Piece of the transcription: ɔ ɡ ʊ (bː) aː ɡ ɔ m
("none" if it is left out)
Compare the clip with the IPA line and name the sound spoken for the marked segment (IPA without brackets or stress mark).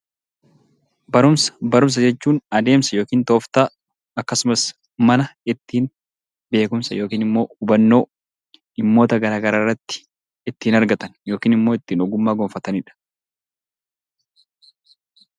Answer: mː